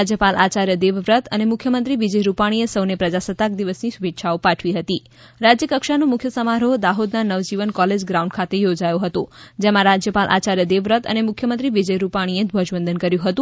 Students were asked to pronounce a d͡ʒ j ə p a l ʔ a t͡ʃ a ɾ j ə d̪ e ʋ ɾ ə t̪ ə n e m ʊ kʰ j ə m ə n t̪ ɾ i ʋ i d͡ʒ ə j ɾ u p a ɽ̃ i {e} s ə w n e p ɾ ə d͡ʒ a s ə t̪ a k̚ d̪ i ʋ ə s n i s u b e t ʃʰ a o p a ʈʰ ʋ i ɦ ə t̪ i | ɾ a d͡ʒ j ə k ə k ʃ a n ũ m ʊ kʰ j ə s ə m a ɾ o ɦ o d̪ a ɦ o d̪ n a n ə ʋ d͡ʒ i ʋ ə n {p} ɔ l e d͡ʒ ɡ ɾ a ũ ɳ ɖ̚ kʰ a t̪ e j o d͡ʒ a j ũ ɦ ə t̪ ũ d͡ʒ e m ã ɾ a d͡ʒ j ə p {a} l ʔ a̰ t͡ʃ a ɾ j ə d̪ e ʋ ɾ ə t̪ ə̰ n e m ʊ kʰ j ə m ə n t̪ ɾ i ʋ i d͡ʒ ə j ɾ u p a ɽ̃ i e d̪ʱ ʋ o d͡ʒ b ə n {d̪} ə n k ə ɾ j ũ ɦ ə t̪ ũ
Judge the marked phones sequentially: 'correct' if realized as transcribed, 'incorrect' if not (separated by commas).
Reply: correct, incorrect, correct, correct